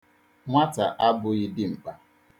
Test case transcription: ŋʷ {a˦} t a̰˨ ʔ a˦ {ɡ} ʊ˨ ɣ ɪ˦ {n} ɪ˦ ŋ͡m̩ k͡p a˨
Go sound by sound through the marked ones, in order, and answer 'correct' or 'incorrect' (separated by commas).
correct, incorrect, incorrect